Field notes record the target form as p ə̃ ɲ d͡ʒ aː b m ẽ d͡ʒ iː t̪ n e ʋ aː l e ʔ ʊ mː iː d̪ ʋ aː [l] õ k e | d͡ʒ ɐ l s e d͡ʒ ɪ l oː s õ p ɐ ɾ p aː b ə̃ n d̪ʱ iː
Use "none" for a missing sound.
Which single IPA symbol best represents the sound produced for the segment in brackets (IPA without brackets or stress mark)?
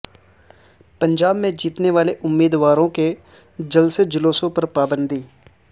ɾ